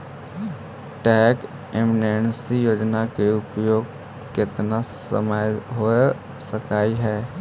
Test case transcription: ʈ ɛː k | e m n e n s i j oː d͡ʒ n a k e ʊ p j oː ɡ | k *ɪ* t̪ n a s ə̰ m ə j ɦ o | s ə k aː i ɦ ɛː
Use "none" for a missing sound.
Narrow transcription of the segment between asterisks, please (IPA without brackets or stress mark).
ɪ